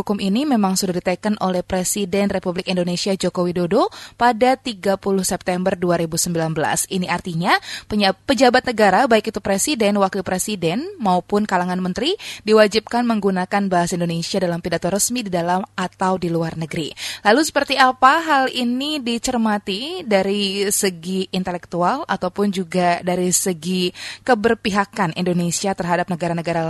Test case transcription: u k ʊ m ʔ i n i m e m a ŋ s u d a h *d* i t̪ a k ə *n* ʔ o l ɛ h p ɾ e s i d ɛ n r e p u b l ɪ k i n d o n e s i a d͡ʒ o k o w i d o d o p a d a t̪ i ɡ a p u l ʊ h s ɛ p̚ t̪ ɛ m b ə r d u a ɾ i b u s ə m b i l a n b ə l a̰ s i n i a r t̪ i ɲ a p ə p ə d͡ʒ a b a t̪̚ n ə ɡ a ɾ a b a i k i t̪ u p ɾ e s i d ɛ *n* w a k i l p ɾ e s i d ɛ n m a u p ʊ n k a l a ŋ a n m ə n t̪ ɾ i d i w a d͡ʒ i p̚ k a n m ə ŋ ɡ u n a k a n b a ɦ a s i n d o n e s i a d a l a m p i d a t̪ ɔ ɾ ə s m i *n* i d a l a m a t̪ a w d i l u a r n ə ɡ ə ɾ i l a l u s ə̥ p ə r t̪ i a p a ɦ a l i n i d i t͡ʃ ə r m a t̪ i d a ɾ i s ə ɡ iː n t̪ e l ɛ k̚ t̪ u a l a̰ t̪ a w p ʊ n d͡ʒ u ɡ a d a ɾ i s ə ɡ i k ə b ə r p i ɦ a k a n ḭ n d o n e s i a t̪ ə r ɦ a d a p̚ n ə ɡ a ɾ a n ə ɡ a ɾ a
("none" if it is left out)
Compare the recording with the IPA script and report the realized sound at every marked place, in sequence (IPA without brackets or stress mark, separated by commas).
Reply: d, n, n, d